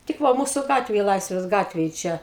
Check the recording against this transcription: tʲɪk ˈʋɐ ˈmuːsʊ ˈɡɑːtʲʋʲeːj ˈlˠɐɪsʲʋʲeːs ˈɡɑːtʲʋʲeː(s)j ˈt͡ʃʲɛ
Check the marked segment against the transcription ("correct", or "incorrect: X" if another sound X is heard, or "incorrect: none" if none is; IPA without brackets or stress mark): incorrect: none